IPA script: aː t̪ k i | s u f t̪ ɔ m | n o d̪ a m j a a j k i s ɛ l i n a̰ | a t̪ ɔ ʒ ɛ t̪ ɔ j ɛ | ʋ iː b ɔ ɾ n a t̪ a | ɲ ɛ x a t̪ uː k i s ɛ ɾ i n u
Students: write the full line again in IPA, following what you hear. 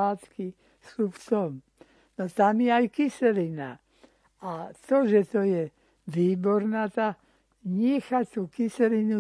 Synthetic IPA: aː t̪ k i | s u f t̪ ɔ m | n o t̪ a m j ɛ a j k i s ɛ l i n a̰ | a t̪ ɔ ʒ ɛ t̪ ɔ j ɛ | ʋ iː b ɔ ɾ n a t̪ a | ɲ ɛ x a t̪ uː k i s ɛ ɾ i n u